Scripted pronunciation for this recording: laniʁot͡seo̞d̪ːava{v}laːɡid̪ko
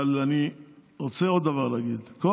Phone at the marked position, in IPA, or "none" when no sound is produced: ʁ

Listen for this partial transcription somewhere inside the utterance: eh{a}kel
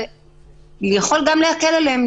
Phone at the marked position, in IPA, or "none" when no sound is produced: a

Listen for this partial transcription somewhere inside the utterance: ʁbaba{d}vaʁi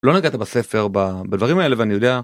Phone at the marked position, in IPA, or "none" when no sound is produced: d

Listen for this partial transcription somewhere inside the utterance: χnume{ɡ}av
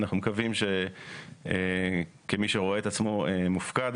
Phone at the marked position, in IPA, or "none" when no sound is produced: k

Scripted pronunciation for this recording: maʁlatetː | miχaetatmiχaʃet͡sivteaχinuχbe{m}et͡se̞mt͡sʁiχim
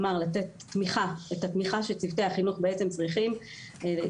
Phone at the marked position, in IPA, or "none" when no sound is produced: none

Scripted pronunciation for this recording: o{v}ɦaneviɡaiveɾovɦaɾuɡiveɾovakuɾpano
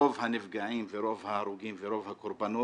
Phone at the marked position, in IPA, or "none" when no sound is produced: v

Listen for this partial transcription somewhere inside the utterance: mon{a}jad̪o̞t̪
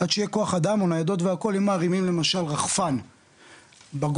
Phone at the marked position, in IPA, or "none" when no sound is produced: a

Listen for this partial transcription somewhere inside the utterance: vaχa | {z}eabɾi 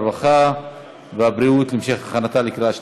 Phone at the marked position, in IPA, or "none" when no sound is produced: v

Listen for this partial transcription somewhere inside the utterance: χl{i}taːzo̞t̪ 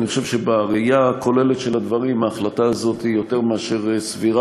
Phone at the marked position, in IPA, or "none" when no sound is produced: a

